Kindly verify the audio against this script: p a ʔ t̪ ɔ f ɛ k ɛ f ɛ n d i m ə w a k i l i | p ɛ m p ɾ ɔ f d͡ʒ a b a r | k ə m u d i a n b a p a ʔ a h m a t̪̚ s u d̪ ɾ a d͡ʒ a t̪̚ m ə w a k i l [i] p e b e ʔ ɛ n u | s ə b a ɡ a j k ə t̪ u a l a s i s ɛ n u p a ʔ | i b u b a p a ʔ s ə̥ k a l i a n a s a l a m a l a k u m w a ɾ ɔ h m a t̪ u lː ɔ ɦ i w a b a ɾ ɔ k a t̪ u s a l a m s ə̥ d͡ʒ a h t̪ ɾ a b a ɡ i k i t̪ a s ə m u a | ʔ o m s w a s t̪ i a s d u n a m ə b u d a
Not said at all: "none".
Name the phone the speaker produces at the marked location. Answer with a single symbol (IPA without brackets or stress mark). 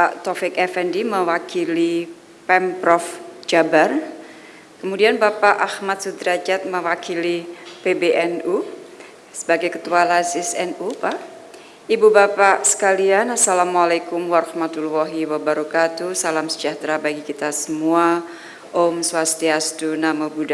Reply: i